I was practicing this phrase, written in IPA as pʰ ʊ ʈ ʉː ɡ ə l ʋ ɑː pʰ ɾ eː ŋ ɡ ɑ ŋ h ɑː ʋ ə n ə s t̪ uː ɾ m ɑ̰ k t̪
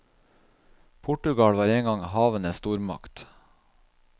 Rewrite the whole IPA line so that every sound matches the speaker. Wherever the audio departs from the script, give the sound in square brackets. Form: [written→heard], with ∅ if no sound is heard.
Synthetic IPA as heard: pʰ ʊ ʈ [ʉː→ʉ] ɡ [ə→ɑ] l ʋ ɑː [pʰ→∅] ɾ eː ŋ ɡ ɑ ŋ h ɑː ʋ ə n ə s t̪ uː ɾ m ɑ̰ k t̪